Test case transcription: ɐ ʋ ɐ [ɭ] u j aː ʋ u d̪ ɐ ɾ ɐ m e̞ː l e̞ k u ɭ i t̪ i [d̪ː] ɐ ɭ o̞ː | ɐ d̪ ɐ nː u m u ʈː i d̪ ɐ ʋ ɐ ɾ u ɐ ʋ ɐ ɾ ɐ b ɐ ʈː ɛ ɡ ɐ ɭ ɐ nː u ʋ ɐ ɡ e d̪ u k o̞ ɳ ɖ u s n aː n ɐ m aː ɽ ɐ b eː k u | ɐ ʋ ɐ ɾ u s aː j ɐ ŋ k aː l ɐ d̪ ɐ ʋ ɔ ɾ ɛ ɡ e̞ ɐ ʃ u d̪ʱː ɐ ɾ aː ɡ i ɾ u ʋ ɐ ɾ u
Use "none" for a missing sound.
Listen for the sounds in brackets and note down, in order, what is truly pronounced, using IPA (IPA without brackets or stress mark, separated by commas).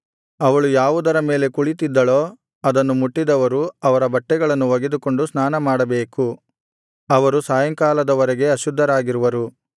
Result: ɭ, d̪ː